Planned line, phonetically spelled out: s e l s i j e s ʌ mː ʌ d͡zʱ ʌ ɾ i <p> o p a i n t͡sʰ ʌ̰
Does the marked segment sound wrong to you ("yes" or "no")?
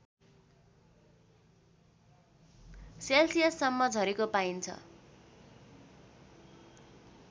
yes